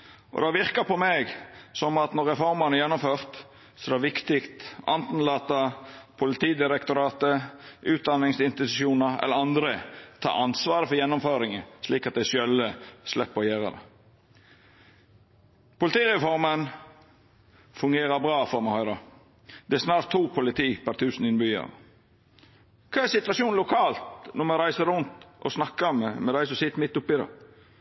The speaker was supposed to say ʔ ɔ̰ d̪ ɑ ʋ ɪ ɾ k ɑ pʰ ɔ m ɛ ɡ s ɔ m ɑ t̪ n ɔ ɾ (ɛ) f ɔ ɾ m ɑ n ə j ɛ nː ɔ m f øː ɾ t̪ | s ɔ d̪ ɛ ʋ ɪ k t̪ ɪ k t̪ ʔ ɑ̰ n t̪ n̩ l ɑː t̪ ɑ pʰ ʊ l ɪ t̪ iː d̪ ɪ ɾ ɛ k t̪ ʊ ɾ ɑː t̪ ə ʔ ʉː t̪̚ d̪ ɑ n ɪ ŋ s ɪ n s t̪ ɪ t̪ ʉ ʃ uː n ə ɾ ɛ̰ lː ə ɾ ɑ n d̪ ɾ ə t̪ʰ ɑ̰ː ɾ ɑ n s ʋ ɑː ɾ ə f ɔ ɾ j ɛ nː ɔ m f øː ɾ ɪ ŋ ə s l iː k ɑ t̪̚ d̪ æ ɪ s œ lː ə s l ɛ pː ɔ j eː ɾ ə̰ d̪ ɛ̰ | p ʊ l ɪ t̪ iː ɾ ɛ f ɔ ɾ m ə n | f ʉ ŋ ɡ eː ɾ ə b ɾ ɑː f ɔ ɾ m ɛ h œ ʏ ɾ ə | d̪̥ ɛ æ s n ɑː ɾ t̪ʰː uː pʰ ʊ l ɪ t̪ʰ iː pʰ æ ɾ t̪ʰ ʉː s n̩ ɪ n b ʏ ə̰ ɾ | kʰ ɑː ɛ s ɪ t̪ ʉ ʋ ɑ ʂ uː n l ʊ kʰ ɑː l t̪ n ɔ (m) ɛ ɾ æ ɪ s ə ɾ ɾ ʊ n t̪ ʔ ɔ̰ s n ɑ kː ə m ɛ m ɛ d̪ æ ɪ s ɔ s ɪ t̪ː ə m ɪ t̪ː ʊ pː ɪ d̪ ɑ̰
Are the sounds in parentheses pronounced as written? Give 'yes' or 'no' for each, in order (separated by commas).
yes, yes